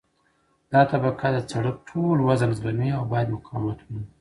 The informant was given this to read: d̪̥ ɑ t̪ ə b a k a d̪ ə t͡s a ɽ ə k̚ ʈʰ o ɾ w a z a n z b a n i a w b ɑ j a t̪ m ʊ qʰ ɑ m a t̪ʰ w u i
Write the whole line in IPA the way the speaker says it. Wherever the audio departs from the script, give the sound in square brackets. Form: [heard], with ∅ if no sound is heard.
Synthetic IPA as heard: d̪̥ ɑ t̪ [a] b a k a d̪ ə t͡s a ɽ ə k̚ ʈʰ o [l] w a z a n z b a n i a w b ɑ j a [d̪] m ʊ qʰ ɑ m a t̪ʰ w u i